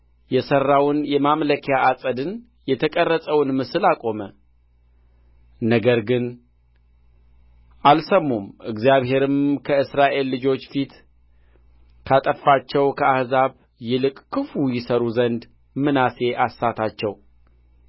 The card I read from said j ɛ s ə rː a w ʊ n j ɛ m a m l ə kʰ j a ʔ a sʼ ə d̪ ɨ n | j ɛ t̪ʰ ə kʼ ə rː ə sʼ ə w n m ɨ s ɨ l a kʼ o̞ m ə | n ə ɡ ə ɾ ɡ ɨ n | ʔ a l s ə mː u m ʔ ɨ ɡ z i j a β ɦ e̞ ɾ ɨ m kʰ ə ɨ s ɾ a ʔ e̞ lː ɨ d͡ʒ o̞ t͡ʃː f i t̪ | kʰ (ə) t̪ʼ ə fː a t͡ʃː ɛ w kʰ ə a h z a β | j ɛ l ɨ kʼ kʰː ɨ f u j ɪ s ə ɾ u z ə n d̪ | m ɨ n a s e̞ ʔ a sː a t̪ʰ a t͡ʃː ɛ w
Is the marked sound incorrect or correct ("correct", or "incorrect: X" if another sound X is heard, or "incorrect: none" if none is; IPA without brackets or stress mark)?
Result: incorrect: a